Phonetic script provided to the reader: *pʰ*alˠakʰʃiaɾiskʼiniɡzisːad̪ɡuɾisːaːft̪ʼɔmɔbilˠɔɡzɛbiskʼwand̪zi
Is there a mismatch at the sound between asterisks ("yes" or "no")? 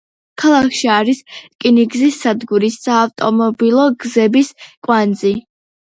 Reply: yes